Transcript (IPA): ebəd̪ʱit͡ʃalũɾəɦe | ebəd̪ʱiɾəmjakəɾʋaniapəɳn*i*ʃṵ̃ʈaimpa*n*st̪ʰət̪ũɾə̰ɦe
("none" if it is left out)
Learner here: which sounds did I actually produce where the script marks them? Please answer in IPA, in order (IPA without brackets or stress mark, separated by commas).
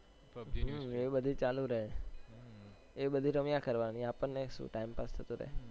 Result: e, none